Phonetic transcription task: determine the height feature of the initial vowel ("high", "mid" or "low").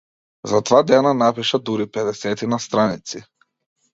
low